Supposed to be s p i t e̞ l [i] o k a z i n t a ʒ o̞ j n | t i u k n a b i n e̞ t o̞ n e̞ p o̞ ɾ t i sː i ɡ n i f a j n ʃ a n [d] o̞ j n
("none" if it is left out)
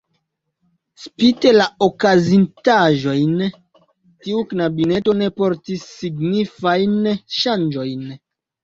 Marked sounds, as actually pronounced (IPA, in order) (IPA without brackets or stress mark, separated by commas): a, d͡ʒ